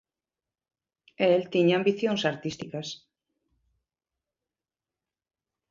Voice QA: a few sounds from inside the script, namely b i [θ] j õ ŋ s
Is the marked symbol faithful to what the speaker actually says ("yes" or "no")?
yes